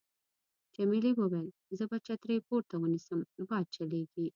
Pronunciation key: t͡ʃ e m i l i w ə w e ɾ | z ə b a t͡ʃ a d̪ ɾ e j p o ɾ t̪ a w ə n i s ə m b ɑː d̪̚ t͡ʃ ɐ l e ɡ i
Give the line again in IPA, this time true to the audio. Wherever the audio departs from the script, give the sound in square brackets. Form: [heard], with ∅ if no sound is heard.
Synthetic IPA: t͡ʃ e m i l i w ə w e [l] | z ə b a t͡ʃ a [t̪] ɾ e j p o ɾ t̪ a w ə n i s ə m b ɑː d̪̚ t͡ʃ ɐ l e ɡ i